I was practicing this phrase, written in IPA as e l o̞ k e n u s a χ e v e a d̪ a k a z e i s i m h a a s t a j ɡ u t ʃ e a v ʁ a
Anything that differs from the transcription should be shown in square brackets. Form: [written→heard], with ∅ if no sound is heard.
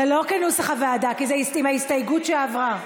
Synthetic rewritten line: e l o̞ k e n u s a χ [e→a] v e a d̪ a k [a→i] z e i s i m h a [a→i] s t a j ɡ u t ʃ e a v ʁ a